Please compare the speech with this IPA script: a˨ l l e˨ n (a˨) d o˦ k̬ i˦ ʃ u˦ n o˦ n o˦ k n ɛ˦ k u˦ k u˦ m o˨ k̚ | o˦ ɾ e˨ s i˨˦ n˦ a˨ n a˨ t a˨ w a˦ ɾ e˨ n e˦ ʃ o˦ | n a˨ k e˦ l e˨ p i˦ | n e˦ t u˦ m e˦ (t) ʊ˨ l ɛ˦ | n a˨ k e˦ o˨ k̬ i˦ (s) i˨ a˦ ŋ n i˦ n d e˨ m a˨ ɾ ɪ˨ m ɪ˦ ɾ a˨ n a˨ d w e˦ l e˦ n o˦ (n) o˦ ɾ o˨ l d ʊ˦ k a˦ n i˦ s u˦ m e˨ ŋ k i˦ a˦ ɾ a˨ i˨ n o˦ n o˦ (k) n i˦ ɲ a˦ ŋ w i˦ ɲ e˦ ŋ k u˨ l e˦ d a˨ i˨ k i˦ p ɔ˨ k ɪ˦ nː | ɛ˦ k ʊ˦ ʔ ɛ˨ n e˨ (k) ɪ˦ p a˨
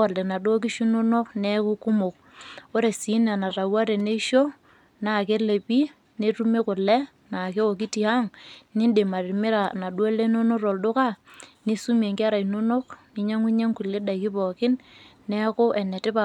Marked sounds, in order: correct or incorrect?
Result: correct, incorrect: k, incorrect: t, correct, correct, incorrect: t

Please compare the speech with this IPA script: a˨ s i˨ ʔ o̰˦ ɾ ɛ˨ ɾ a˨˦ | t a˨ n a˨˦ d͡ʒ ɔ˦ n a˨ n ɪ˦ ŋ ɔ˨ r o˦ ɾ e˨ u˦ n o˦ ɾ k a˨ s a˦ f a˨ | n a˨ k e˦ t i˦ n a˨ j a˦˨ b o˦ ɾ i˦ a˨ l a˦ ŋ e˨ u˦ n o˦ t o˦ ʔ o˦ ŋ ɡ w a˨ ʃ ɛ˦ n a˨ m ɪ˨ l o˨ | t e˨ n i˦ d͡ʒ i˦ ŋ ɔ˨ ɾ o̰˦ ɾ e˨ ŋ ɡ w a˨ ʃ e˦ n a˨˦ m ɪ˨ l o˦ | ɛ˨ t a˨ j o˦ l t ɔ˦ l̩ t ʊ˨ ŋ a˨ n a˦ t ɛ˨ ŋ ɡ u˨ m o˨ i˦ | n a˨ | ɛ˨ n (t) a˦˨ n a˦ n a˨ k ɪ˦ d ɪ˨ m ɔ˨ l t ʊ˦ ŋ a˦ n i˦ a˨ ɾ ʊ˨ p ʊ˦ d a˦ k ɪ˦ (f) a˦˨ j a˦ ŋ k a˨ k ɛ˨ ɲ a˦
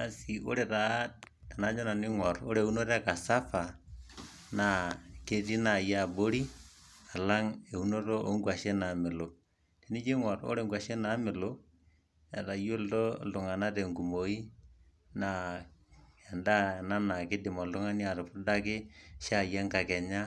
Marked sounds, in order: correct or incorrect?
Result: incorrect: d, incorrect: ʃ

